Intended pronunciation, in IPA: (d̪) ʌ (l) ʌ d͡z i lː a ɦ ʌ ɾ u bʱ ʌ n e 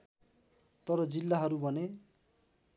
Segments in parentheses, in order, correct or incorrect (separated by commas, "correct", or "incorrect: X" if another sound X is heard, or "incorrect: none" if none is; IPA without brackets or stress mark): incorrect: t̪, incorrect: ɾ